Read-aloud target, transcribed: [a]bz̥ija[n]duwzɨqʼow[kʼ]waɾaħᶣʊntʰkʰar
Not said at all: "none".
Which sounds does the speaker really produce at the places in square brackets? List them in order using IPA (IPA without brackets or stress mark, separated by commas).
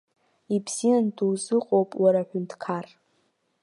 i, n, pʼ